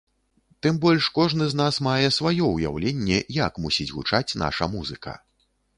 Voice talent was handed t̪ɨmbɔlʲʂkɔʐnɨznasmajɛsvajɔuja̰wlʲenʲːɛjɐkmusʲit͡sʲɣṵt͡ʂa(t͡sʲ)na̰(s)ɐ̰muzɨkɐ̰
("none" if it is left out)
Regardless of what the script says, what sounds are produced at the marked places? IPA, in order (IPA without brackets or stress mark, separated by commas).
t͡sʲ, ʂ